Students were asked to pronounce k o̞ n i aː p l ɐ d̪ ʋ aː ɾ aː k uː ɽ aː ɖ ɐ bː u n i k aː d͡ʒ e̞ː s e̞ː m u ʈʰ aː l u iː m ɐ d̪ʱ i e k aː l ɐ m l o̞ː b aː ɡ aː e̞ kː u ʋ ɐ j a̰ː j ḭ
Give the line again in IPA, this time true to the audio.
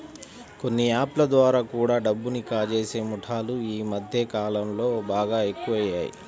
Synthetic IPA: k o̞ nː i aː p l ɐ d̪ ʋ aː ɾ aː k uː ɽ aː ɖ ɐ bː u n i k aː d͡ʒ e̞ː s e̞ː m u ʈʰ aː l u iː m ɐ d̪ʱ j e k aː l ɐ m l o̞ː b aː ɡ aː e̞ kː u ʋ ɐ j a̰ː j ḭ